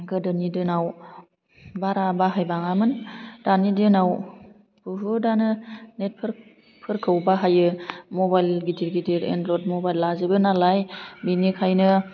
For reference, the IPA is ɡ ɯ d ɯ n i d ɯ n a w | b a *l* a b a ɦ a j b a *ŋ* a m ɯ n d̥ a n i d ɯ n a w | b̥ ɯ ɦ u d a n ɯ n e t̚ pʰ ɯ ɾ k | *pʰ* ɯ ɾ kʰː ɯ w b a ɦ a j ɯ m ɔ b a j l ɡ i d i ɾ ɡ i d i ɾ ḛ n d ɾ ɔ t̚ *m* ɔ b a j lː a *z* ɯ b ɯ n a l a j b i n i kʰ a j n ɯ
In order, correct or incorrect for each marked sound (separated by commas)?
incorrect, correct, correct, correct, correct